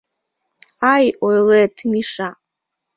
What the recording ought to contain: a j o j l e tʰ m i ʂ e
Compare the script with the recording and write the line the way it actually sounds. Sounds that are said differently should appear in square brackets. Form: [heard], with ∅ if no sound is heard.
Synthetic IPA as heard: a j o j l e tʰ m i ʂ [a]